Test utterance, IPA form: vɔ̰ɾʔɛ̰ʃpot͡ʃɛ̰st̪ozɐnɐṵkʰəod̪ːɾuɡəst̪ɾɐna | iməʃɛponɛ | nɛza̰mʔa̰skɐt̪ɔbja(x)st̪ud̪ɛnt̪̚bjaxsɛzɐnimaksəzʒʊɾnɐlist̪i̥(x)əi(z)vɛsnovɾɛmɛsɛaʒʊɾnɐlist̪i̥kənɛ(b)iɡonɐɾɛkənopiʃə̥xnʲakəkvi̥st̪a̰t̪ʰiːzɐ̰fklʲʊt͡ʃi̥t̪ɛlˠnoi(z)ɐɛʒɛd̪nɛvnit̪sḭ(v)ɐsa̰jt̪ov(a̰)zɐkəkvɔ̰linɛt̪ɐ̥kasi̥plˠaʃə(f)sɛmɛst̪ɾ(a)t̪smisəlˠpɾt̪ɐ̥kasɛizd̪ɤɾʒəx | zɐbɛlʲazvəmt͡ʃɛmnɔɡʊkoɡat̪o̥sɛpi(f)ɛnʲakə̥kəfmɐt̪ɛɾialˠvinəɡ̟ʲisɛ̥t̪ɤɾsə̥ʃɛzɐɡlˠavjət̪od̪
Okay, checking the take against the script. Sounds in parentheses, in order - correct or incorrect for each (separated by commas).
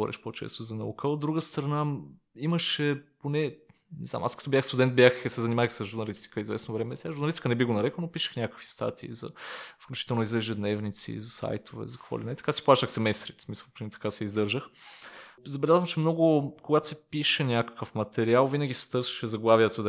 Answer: correct, incorrect, correct, correct, correct, incorrect, incorrect, incorrect, incorrect, incorrect